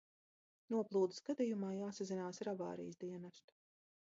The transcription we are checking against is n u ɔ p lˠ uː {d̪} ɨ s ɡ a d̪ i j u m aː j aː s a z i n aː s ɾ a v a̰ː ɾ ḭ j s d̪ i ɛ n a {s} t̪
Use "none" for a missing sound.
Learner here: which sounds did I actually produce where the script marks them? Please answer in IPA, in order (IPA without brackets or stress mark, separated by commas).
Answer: d̪, s